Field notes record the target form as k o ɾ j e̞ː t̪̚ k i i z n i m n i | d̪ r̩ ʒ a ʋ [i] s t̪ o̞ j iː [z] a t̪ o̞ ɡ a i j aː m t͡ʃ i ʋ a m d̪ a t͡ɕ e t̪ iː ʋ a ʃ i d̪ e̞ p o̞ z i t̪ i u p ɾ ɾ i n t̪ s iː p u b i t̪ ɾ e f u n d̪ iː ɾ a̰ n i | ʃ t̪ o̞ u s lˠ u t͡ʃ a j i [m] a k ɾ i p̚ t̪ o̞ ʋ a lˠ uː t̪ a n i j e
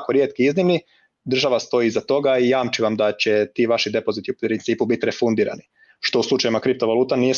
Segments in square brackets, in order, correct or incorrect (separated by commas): incorrect, correct, correct